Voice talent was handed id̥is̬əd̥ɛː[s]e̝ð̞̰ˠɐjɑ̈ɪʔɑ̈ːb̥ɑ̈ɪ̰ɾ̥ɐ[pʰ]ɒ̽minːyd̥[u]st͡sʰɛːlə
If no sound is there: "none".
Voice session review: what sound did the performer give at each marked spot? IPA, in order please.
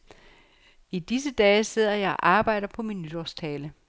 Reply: s, pʰ, ɒ

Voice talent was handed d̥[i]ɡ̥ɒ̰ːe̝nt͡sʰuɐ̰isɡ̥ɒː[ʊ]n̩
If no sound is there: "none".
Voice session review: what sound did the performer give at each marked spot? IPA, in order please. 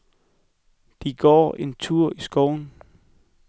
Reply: i, ʊ

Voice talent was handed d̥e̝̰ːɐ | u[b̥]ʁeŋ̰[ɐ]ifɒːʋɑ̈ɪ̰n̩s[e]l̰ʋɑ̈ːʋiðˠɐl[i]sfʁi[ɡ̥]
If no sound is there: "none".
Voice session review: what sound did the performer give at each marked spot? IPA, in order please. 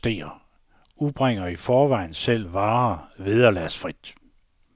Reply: b̥, ɐ, e, æ, d̥

